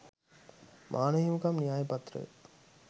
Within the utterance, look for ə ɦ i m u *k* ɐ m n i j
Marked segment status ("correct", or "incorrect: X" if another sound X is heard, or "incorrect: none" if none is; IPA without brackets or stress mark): correct